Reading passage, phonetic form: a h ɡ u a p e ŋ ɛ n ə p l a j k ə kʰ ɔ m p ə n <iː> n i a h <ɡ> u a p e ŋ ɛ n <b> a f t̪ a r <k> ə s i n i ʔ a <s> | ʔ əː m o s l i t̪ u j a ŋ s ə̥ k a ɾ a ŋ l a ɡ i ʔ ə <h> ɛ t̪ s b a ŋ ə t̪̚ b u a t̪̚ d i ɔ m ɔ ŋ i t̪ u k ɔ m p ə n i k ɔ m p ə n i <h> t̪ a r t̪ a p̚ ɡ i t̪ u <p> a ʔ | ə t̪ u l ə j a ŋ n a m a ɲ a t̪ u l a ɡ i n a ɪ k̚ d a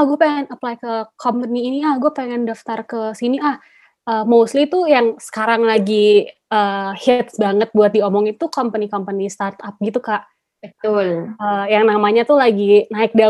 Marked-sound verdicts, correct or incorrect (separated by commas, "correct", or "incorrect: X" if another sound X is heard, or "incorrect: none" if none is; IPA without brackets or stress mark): correct, correct, incorrect: d, correct, incorrect: h, correct, incorrect: s, incorrect: k